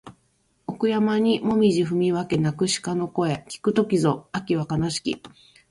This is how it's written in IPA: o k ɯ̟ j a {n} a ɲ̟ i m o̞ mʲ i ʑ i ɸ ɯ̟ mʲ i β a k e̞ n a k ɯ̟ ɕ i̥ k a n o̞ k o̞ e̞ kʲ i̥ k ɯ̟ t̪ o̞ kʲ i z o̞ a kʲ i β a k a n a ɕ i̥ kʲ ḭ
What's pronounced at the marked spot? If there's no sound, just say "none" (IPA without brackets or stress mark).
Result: m